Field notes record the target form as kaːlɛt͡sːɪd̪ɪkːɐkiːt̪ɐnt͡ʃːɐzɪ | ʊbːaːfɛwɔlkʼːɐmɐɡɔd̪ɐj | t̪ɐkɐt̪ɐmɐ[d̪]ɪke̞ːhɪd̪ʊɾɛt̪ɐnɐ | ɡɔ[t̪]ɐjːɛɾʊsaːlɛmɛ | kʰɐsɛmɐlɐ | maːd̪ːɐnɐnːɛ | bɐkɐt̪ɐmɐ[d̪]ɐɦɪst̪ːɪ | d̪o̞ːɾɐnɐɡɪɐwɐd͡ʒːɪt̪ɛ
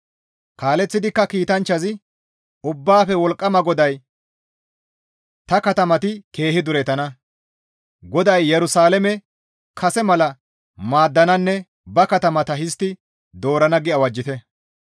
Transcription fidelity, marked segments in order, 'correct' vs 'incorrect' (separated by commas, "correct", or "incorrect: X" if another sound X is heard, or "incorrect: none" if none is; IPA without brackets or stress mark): incorrect: t̪, incorrect: d̪, incorrect: t̪